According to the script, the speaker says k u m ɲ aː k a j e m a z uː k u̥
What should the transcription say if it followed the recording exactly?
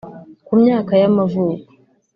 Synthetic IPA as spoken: k u m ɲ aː k a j a m a v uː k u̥